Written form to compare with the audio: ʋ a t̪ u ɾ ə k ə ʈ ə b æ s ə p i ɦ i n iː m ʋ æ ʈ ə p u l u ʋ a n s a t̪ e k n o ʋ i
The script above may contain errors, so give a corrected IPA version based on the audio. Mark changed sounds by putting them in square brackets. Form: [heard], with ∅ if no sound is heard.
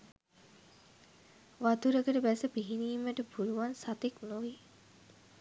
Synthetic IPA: ʋ a t̪ u ɾ ə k ə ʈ ə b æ s ə p i ɦ i n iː m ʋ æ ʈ ə p u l u ʋ a n s a t̪ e k n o ʋ i